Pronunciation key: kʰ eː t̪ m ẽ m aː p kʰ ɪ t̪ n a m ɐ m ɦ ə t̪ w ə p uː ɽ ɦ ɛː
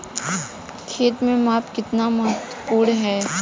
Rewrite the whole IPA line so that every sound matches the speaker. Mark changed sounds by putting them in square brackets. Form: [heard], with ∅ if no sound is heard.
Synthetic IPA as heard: kʰ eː t̪ m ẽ m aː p [k] ɪ t̪ n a m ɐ [∅] ɦ ə t̪ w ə p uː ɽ ɦ ɛː